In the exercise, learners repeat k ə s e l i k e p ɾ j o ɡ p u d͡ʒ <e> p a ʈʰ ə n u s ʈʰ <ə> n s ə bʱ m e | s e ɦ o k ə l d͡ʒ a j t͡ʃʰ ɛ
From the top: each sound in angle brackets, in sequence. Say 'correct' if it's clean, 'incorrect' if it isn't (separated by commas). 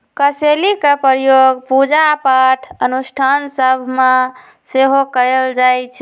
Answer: incorrect, incorrect